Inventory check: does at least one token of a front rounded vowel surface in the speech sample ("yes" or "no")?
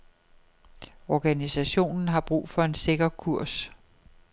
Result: no